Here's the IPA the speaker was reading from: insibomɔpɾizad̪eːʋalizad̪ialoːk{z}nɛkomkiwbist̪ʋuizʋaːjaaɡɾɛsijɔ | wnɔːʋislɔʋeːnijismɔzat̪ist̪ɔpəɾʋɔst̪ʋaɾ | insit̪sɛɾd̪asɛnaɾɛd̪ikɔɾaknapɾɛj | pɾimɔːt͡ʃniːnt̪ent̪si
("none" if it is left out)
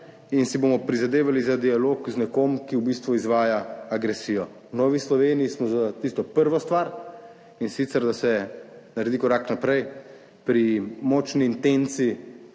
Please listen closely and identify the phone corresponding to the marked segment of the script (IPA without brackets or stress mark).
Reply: z